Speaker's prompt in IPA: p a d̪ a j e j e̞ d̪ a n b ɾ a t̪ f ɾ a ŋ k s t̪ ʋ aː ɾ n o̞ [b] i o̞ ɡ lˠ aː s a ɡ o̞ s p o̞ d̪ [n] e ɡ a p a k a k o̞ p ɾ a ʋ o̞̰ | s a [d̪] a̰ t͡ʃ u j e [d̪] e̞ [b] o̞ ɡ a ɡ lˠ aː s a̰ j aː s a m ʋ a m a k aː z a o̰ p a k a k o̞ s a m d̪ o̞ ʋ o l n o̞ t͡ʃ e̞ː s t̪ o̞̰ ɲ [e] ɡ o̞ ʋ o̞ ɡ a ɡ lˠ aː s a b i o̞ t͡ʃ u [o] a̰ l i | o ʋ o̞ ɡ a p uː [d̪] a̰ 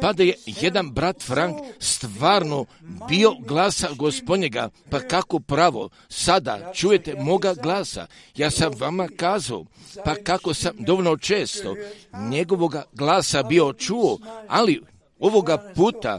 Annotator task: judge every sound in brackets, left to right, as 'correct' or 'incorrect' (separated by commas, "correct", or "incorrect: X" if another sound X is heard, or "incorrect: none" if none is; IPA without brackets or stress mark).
correct, incorrect: ɲ, correct, incorrect: t̪, incorrect: m, correct, correct, incorrect: t̪